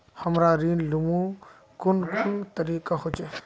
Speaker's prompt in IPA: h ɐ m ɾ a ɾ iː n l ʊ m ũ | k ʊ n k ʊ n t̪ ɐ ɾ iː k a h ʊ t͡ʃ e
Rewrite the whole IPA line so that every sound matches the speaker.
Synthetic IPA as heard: h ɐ m ɾ a ɾ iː n l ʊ m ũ | k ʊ n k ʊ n t̪ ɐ ɾ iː k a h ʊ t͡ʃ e